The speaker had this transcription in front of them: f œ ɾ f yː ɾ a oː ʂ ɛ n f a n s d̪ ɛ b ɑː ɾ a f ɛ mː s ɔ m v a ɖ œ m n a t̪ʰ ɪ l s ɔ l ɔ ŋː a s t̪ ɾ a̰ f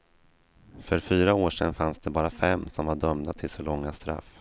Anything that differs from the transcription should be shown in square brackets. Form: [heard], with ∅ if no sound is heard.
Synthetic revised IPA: f œ ɾ f yː ɾ a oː ʂ ɛ n f a n s d̪ ɛ b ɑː ɾ a f ɛ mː s ɔ m v a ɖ œ m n a t̪ʰ ɪ l s ɔ l ɔ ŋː a s t̪ ɾ a̰ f